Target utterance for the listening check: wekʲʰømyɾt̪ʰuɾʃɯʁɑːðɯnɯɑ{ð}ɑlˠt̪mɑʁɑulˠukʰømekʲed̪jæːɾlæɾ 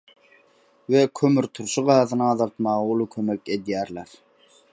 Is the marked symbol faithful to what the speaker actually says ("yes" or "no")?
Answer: yes